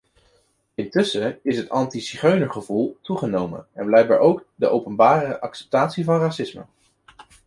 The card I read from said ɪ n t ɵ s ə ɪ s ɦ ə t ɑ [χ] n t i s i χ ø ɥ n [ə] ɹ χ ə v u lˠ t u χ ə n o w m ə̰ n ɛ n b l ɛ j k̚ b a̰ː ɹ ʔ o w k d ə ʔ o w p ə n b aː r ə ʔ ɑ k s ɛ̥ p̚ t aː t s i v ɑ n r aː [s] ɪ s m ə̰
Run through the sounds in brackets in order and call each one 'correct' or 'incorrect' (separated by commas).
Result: incorrect, correct, correct